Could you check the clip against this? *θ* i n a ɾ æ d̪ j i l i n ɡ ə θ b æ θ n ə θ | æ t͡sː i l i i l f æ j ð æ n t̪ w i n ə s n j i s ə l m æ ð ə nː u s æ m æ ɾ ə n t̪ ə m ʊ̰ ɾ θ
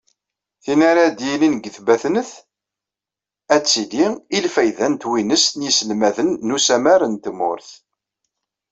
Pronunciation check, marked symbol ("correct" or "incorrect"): correct